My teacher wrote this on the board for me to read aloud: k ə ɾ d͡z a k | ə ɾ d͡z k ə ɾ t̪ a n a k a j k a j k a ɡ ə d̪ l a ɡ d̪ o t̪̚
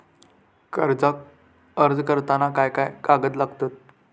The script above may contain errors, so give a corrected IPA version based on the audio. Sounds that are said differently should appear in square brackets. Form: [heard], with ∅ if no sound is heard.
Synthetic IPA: k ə ɾ d͡z a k | ə ɾ d͡z k ə ɾ t̪ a n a k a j k a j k a ɡ ə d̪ l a ɡ [t̪] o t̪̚